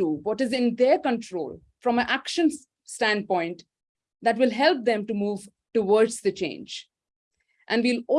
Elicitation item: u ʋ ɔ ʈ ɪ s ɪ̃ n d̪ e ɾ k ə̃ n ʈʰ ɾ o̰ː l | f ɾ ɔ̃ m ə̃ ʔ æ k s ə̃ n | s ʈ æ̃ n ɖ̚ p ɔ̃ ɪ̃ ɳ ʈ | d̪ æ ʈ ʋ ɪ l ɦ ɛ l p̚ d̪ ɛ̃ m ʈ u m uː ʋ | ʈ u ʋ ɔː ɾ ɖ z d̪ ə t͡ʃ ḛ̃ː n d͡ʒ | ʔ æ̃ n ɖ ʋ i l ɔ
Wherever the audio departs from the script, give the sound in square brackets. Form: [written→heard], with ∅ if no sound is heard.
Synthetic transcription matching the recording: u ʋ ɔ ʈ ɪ [s→z] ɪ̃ n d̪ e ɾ k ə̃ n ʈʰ ɾ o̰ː l | f ɾ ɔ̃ m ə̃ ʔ æ k [s→ʃ] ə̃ n | s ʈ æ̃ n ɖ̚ p ɔ̃ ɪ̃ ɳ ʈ | d̪ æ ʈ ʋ ɪ l ɦ ɛ l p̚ d̪ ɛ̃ m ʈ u m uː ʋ | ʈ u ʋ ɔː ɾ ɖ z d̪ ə t͡ʃ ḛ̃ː n d͡ʒ | ʔ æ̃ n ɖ ʋ i l ɔ